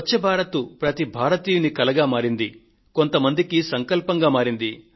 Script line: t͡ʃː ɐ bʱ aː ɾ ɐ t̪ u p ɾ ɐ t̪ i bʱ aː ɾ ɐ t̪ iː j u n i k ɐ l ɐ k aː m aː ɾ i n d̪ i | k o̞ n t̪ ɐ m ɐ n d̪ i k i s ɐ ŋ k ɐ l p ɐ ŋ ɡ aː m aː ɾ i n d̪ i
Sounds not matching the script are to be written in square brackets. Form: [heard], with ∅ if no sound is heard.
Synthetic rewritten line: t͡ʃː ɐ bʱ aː ɾ ɐ t̪ u p ɾ ɐ t̪ i bʱ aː ɾ ɐ t̪ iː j u n i k ɐ l ɐ [ɡ] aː m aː ɾ i n d̪ i | k o̞ n t̪ ɐ m ɐ n d̪ i k i s ɐ ŋ k ɐ l p ɐ ŋ ɡ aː m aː ɾ i n d̪ i